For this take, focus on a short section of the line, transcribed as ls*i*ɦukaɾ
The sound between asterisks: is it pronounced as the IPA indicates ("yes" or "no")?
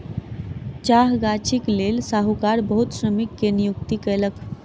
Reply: no